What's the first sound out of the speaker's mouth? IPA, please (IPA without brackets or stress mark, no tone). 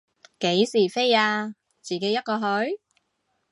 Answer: k